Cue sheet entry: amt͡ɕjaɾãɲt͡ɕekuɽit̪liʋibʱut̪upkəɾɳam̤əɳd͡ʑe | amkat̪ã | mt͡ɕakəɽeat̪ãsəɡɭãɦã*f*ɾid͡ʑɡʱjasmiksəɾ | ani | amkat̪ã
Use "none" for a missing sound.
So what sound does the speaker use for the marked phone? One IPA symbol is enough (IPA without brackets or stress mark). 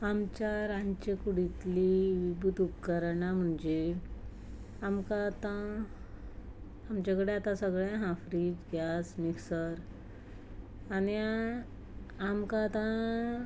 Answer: f